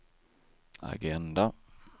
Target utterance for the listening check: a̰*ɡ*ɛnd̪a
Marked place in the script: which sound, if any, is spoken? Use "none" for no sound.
ɡ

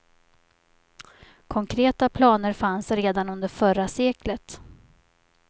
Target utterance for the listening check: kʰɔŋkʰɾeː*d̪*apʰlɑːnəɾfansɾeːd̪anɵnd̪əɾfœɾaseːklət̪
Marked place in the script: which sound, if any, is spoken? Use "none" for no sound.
t̪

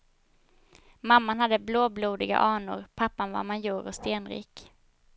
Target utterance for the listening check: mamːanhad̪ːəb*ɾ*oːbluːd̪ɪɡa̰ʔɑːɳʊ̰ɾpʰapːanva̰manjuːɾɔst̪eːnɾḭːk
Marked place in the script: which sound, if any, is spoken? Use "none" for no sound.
l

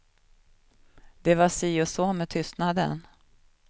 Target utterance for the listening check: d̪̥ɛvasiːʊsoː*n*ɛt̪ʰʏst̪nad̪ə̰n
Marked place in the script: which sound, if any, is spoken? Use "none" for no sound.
m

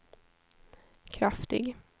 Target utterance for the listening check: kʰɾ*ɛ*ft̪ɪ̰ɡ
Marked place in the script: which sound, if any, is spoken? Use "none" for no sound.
a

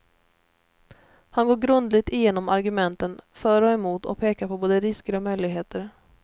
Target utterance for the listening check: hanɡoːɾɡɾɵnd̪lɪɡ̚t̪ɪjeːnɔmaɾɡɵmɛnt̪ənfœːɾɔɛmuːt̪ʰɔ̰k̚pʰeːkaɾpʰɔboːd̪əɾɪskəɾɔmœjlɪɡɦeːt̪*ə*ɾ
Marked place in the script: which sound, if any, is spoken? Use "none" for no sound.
ə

